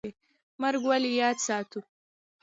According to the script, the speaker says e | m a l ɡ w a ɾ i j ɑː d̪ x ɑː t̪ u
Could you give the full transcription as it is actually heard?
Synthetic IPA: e | m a ɾ ɡ w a l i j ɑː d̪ s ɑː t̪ u